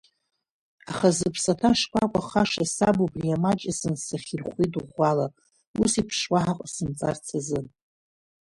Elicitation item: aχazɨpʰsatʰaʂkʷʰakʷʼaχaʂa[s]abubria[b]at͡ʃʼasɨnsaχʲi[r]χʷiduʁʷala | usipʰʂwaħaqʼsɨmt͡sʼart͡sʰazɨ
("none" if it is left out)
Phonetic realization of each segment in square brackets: s, m, r

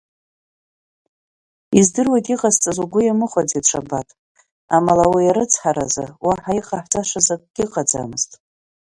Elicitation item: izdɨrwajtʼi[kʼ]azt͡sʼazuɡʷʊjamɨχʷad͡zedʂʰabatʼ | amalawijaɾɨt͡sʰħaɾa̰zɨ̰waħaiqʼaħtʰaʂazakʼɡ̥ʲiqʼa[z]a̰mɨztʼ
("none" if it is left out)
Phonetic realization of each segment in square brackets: qʼ, d͡z

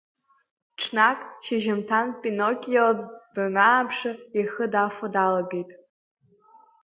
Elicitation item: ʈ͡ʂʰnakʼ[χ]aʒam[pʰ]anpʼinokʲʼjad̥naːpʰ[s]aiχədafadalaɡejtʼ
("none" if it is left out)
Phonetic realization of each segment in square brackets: ʃ, tʰ, ʂ

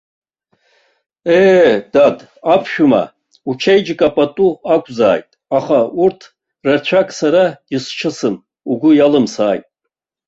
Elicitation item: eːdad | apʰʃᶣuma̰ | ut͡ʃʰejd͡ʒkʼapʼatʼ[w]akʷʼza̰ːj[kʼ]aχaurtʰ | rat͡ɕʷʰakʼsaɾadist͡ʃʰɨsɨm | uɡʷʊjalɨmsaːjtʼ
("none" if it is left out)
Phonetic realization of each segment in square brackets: u, tʼ

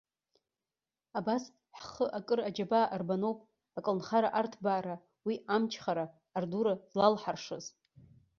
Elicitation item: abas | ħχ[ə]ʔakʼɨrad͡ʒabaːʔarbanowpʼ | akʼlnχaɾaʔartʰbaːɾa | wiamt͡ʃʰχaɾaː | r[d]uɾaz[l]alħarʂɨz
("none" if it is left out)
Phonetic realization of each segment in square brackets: ə, d, l

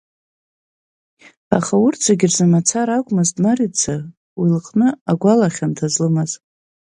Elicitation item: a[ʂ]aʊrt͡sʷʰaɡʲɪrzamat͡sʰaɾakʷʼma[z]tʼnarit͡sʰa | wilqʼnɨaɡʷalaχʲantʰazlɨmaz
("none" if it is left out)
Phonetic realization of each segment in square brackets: χ, z

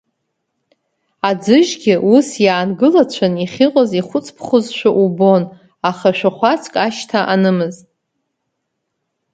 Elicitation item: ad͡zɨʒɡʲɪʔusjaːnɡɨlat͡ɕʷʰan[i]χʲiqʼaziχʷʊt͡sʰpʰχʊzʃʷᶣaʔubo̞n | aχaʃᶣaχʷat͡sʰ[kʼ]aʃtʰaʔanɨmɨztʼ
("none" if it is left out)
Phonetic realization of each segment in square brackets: i, kʼ

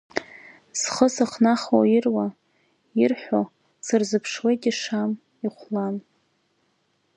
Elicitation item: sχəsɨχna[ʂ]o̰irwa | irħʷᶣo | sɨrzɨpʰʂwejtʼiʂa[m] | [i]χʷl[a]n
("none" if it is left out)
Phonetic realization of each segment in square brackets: χ, m, i, a

